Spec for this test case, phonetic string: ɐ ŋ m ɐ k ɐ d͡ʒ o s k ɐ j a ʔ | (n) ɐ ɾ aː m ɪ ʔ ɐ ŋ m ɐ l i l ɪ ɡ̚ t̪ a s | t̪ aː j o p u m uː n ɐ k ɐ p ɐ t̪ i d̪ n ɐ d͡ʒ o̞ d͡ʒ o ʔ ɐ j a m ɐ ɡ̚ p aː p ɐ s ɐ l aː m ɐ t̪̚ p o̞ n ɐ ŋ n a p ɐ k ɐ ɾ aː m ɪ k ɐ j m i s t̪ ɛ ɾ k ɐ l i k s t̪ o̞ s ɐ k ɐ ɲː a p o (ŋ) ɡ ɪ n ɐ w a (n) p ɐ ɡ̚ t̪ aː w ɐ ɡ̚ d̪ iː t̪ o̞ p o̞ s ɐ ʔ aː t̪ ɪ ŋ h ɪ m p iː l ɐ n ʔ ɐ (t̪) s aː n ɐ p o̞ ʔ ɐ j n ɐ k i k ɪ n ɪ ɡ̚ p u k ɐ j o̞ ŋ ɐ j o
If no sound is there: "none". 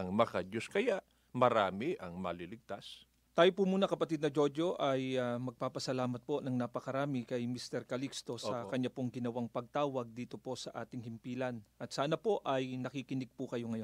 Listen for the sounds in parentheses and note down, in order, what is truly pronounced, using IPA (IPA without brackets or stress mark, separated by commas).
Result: m, ŋ, ŋ, t̪